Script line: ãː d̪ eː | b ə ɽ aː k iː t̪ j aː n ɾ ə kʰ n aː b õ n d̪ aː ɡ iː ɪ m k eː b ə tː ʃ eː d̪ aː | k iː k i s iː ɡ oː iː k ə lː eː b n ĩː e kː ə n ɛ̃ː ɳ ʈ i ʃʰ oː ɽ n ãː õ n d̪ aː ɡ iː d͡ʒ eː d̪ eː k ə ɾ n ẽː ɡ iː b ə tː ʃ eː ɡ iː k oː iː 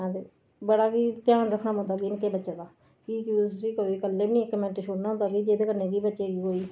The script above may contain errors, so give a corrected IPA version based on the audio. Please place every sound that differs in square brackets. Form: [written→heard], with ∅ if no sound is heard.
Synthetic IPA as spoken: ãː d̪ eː | b ə ɽ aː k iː t̪ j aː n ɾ ə kʰ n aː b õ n d̪ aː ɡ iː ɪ [m→n] k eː b ə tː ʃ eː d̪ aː | k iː k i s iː [ɡ→k] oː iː k ə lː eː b n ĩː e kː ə [n→m] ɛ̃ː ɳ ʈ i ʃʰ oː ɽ n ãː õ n d̪ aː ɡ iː d͡ʒ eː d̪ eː k ə ɾ n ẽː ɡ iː b ə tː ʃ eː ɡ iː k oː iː